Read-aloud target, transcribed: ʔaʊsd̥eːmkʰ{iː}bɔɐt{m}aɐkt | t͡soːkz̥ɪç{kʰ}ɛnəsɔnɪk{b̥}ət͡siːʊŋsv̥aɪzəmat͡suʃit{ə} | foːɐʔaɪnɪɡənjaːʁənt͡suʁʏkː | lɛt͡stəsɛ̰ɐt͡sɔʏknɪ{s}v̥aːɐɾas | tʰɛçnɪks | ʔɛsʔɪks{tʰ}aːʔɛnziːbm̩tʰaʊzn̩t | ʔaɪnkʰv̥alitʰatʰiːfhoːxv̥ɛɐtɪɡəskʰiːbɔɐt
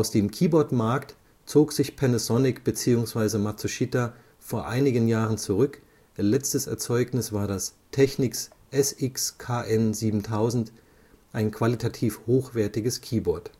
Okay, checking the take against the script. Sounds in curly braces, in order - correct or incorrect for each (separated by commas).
correct, correct, incorrect, correct, incorrect, correct, incorrect